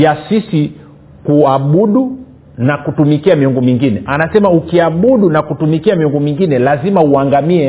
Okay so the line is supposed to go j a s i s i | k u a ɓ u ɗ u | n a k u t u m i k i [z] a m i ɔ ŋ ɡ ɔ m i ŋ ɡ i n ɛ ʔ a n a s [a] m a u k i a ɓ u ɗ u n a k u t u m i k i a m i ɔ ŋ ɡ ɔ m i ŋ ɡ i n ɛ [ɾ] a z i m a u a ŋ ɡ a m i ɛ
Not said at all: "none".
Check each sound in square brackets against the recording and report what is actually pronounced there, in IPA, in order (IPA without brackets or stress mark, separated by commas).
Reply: none, ɛ, l